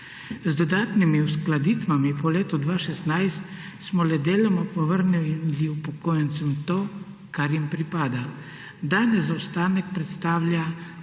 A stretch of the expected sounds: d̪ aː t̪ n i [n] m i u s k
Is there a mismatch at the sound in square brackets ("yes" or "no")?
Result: yes